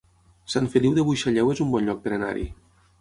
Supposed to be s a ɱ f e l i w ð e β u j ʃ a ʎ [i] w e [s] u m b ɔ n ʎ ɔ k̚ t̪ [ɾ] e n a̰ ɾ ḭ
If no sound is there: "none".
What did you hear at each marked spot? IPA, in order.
ɛ, z, ɾ

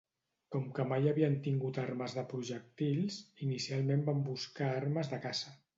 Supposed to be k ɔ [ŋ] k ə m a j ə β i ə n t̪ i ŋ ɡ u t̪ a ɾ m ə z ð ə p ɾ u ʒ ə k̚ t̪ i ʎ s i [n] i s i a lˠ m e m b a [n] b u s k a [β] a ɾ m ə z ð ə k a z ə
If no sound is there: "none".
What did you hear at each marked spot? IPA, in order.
m, n, m, none

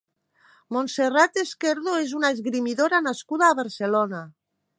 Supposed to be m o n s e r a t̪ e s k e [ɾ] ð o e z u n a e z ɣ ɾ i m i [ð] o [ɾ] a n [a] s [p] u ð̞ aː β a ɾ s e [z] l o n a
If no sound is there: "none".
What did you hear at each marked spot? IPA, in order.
ɾ, ð, ɾ, a, k, none

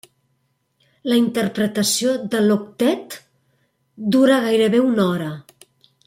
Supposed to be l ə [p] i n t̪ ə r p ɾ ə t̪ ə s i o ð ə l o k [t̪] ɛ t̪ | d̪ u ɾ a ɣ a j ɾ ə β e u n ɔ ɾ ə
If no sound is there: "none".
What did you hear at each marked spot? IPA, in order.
none, t̪

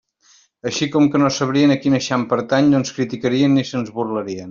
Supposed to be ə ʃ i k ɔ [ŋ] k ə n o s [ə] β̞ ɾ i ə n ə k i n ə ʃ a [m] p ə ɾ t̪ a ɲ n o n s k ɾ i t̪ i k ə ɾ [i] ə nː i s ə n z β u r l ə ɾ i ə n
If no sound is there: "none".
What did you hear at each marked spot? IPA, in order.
m, ə, m, i

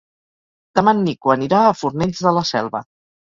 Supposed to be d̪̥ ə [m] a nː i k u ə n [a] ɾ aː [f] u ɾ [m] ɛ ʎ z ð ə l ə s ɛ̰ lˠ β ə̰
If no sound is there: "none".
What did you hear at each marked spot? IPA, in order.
m, i, f, n

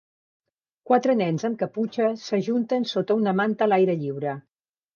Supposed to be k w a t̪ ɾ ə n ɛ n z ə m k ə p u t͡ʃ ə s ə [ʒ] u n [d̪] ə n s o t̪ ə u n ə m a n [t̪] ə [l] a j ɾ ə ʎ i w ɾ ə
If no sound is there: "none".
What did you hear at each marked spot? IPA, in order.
ʒ, t̪, t̪, l

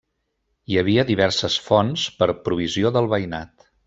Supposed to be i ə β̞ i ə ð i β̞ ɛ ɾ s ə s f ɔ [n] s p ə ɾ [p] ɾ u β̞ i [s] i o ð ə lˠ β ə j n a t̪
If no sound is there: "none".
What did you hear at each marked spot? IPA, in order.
n, p, z

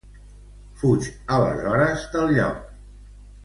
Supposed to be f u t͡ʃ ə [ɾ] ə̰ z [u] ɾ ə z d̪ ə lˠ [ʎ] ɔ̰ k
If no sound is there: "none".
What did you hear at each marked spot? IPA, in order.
l, ɔ, ʎ

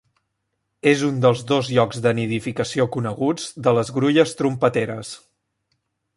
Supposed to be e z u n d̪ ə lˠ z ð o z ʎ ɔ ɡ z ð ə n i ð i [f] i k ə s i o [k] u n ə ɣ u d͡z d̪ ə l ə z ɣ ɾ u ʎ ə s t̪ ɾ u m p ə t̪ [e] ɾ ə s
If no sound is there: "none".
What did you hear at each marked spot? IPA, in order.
f, k, e

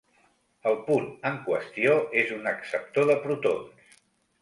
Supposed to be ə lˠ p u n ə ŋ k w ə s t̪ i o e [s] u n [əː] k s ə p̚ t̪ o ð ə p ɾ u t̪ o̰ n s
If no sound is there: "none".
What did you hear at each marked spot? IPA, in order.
z, ə

